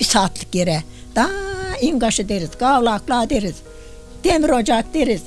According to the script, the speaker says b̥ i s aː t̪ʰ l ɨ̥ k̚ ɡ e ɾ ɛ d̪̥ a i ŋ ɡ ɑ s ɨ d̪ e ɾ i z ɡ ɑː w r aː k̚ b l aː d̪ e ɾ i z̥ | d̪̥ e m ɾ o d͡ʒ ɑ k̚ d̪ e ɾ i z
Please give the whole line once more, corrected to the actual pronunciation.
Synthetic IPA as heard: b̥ i s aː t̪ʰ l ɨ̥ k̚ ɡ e ɾ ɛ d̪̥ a i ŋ ɡ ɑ ʃ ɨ d̪ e ɾ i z ɡ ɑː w l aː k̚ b l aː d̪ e ɾ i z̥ | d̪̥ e m ɾ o d͡ʒ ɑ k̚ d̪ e ɾ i z